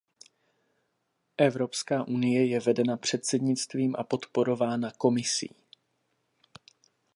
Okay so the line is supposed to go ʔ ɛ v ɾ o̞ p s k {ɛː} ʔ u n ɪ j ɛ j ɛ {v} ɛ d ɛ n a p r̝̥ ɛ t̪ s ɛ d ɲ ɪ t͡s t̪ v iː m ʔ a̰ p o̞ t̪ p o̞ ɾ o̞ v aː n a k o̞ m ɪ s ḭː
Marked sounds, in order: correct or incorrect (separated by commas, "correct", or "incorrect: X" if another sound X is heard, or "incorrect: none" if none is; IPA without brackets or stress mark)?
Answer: incorrect: aː, correct